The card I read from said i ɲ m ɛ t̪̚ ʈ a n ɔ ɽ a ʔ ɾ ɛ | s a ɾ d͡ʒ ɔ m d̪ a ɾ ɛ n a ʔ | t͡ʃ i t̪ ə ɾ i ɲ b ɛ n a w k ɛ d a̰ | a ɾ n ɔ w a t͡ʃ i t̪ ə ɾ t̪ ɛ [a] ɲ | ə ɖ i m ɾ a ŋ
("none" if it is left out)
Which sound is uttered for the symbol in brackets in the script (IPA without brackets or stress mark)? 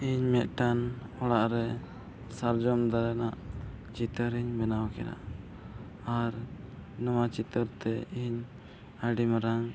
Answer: i